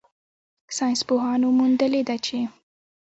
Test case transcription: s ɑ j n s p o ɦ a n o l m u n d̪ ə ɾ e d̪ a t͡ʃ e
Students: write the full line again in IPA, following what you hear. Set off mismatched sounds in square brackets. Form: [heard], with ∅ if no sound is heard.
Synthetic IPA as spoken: s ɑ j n s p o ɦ [ɑ] n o [∅] m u n d̪ ə [l] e d̪ a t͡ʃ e

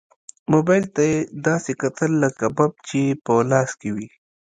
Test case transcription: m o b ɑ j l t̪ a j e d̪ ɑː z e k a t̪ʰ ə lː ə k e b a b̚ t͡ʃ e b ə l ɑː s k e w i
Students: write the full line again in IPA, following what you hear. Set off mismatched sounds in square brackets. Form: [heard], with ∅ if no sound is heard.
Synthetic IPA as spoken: m o b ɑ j l t̪ a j e d̪ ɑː [s] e k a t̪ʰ ə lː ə k [a] b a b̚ t͡ʃ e [p] ə l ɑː s k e w i

